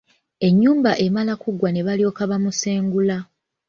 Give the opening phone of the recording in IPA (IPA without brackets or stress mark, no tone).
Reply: e̞